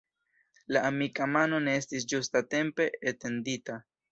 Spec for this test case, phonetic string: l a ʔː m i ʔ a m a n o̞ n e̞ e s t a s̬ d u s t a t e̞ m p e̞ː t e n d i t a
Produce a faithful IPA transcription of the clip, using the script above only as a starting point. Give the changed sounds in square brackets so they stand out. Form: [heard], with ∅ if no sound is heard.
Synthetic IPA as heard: l a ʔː m i [k] a m a n o̞ n e̞ e s t [i] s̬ [d͡ʒ] u s t a t e̞ m p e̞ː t e n d i t a